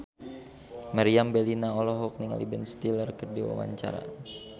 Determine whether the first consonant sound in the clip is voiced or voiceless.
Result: voiced